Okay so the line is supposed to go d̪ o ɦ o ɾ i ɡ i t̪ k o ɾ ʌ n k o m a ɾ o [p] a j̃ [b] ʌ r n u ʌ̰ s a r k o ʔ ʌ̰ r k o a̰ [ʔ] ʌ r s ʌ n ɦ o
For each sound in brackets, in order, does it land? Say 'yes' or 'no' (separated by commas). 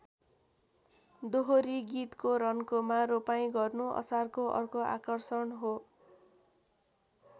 yes, no, no